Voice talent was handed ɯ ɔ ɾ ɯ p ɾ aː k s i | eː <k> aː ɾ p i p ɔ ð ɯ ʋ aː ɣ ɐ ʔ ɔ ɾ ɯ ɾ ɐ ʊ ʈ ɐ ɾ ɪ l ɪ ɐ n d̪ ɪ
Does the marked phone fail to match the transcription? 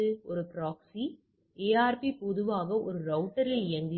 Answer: yes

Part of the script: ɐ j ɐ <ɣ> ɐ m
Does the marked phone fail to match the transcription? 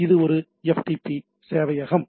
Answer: no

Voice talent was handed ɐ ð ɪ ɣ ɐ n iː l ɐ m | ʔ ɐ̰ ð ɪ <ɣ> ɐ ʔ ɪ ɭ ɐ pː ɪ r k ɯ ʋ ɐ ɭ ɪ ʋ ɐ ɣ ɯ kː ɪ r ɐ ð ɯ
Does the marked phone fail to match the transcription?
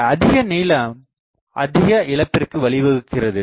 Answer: no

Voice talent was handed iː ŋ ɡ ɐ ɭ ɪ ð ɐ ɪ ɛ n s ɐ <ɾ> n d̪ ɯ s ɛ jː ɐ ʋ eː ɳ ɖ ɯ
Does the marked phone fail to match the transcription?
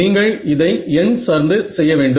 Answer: no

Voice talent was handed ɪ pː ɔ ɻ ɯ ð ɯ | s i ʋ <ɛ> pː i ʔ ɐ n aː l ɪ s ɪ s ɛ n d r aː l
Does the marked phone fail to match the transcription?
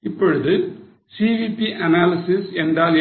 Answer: yes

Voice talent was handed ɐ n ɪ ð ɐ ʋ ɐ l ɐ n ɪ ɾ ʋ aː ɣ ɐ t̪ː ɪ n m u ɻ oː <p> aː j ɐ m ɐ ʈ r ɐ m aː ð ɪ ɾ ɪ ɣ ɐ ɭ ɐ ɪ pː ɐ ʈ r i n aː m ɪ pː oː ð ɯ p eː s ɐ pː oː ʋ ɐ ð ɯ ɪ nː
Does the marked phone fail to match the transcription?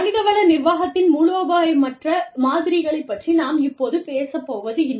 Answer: yes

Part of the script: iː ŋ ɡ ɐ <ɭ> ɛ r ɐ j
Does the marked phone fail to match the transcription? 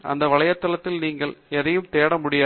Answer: no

